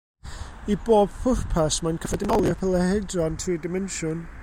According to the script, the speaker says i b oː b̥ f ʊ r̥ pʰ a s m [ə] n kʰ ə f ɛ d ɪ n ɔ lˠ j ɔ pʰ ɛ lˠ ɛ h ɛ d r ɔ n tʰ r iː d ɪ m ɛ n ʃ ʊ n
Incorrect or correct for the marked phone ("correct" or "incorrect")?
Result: incorrect